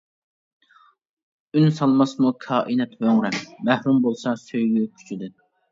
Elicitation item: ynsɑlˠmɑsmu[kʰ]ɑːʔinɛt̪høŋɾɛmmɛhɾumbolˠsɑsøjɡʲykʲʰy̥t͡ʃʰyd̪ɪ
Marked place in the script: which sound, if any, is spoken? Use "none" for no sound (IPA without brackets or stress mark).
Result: kʰ